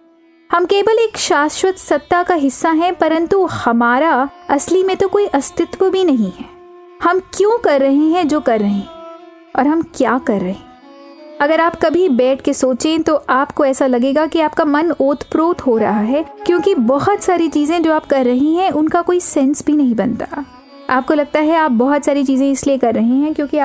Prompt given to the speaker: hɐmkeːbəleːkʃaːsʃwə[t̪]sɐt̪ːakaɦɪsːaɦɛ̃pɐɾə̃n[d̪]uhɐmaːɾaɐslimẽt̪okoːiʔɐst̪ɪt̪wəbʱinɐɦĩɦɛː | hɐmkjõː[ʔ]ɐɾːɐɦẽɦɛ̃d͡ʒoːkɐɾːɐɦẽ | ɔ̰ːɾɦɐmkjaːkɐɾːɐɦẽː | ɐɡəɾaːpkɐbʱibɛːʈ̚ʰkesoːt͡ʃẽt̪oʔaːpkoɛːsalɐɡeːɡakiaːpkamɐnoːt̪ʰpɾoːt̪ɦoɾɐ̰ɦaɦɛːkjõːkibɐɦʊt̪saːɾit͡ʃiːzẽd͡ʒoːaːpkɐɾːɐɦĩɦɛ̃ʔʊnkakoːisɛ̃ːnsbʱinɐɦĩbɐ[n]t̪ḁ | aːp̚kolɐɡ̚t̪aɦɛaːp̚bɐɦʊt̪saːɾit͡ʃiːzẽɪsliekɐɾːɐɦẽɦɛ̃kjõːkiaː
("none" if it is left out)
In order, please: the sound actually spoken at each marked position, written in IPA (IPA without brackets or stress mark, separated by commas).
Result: t̪, t̪, k, n